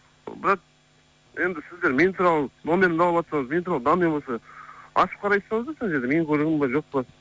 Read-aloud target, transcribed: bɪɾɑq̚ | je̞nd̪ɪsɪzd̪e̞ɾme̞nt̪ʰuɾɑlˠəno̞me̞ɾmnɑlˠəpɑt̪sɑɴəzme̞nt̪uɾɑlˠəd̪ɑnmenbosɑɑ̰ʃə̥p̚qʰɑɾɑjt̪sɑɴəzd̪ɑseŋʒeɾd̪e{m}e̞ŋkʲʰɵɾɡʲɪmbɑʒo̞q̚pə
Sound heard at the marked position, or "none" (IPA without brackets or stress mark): m